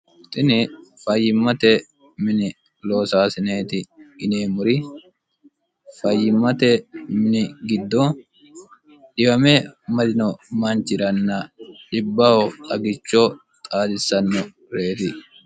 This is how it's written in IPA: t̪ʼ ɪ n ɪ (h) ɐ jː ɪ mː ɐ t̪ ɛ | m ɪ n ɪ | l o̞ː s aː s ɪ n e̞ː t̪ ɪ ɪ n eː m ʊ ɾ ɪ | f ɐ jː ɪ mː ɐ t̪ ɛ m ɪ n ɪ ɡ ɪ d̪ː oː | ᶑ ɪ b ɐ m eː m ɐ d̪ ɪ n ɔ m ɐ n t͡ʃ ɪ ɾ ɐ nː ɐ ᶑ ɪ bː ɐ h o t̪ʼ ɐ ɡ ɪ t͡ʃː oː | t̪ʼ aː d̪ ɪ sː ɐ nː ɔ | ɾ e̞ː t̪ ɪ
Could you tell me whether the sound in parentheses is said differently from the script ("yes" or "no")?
yes